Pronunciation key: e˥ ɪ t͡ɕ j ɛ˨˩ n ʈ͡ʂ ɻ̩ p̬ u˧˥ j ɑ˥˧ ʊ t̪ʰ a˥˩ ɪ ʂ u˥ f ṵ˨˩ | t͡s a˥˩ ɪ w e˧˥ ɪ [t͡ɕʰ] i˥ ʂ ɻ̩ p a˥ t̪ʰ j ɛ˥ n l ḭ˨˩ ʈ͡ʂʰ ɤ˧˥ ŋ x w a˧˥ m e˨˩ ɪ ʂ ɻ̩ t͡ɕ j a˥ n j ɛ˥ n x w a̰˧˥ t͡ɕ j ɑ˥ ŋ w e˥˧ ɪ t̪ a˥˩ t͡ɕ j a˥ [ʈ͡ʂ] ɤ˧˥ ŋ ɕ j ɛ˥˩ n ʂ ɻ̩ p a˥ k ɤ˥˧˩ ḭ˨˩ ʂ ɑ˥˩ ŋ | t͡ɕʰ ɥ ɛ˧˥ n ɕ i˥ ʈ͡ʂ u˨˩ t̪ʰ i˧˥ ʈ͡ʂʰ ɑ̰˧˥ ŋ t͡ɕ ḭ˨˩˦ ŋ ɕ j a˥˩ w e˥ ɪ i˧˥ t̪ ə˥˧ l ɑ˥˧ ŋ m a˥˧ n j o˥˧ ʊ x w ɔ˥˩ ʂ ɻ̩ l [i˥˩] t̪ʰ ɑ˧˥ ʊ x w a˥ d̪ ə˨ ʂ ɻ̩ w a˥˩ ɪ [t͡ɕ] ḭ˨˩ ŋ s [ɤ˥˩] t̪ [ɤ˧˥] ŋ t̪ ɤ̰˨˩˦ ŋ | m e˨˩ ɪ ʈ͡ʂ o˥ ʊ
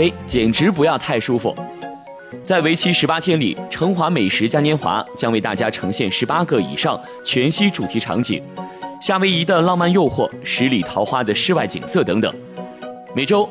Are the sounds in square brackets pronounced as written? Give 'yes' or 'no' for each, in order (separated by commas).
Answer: yes, no, no, yes, yes, yes